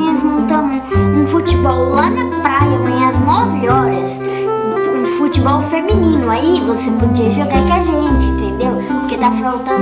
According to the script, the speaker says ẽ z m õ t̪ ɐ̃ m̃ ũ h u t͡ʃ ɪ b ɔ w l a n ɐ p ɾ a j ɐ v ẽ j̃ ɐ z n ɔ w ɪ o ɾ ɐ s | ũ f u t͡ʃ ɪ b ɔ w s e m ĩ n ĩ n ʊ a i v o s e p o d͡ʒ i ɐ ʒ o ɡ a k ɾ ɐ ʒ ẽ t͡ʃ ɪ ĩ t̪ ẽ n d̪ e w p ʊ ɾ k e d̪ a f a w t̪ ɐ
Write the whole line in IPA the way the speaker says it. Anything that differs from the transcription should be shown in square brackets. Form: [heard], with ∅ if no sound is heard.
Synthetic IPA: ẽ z m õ t̪ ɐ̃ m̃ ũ [f] u t͡ʃ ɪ b ɔ w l a n ɐ p ɾ a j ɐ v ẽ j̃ ɐ z n ɔ [v] ɪ [ɔ] ɾ ɐ s | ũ f u t͡ʃ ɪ b ɔ w [f] e m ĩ n ĩ n ʊ a i v o s e p o d͡ʒ i ɐ ʒ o ɡ a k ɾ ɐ ʒ ẽ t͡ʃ ɪ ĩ t̪ ẽ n d̪ e w p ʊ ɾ k e d̪ a f a w t̪ ɐ